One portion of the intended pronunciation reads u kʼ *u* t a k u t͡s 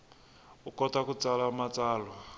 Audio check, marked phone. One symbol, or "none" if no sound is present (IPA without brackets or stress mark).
ɔ